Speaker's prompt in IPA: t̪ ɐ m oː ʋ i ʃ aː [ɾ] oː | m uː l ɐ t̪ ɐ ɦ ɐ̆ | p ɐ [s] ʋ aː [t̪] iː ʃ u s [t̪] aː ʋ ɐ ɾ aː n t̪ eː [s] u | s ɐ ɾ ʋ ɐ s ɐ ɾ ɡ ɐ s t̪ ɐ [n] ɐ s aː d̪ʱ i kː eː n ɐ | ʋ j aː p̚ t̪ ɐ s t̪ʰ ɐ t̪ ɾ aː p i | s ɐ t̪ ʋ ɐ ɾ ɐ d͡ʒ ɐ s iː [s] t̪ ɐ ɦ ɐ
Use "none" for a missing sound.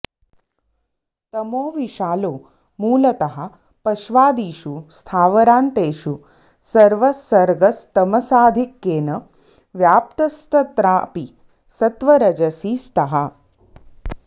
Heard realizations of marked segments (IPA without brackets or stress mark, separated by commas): l, ʃ, d̪, t̪ʰ, ʃ, m, s